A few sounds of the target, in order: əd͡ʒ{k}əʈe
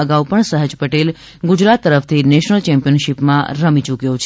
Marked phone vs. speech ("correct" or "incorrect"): incorrect